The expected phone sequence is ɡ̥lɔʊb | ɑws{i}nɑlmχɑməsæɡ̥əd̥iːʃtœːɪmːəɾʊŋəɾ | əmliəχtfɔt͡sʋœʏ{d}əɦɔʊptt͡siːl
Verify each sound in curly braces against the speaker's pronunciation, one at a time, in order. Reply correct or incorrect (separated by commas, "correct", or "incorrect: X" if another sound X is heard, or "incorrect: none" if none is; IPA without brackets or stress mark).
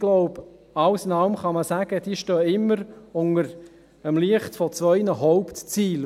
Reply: incorrect: ɪ, incorrect: n